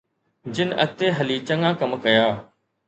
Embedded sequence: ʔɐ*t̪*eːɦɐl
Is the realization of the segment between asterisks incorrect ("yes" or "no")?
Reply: no